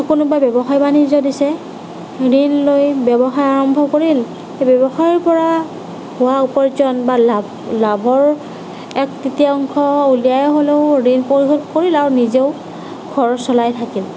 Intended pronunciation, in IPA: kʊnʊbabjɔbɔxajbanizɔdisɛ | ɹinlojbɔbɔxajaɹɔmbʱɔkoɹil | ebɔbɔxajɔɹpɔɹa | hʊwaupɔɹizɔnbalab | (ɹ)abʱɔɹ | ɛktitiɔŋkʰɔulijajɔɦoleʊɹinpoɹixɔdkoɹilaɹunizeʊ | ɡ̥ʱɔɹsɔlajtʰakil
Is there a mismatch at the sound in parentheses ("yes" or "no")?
yes